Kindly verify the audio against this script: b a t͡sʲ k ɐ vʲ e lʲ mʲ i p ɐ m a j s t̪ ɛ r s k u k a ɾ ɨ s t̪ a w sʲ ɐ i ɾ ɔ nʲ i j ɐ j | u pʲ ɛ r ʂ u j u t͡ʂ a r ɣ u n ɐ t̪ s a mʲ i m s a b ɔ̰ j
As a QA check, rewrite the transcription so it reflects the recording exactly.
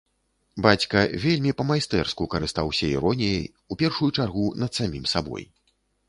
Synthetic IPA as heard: b a t͡sʲ k ɐ vʲ e lʲ mʲ i p ɐ m a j s t̪ ɛ r s k u k ɐ ɾ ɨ s t̪ a w sʲ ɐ i ɾ ɔ nʲ i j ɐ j | u pʲ ɛ r ʂ u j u t͡ʂ a r ɣ u n ɐ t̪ s a mʲ i m s a b ɔ̰ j

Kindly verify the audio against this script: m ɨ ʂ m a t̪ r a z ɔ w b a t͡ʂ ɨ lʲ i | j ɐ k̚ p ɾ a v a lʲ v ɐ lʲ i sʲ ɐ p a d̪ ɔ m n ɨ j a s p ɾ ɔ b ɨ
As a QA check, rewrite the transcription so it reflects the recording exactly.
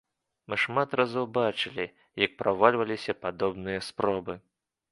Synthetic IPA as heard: m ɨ ʂ m a t̪ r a z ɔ w b a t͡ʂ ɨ lʲ i | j ɐ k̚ p ɾ a v a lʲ v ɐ lʲ i sʲ ɐ p a d̪ ɔ b n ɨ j ɐ s p ɾ ɔ b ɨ

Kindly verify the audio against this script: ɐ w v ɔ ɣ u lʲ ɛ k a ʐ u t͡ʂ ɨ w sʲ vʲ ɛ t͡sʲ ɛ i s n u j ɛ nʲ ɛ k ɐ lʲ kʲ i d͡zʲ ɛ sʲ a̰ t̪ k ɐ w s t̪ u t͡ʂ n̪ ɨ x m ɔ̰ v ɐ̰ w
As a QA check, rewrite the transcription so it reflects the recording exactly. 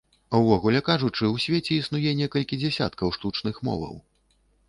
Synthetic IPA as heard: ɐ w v ɔ ɣ u lʲ ɛ k a ʐ u t͡ʂ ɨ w sʲ vʲ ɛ t͡sʲ ɛ i s n u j ɛ nʲ ɛ k ɐ lʲ kʲ i d͡zʲ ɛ sʲ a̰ t̪ k ɐ w ʂ t̪ u t͡ʂ n̪ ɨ x m ɔ̰ v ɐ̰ w

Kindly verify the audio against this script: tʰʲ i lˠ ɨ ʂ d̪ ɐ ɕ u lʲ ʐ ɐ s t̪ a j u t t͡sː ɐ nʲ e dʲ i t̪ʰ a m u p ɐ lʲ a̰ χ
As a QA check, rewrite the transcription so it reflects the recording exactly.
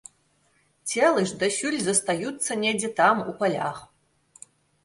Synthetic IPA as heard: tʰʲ e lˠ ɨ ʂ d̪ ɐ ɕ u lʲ z ɐ s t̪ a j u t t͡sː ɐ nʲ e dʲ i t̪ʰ a m u p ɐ lʲ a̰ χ

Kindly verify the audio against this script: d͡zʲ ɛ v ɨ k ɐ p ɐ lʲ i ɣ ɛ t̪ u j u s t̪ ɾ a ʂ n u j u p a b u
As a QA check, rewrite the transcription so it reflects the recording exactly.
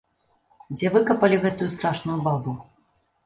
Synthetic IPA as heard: d͡zʲ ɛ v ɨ k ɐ p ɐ lʲ i ɣ ɛ t̪ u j u s t̪ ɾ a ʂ n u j u b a b u

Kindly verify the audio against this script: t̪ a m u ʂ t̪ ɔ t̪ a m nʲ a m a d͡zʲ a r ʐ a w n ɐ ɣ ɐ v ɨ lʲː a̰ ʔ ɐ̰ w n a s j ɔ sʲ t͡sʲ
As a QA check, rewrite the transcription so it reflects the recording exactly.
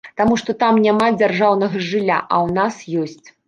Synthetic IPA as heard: t̪ a m u ʂ t̪ ɔ t̪ a m nʲ a m a d͡zʲ a r ʐ a w n ɐ ɣ ɐ ʐ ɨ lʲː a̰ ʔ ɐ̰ w n a s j ɔ sʲ t͡sʲ

